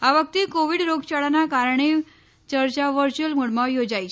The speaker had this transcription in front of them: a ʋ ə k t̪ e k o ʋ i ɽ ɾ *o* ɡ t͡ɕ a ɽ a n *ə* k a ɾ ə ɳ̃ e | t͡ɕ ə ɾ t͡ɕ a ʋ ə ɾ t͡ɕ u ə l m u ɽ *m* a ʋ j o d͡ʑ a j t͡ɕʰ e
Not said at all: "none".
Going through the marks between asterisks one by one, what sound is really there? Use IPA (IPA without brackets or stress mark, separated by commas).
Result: o, a, m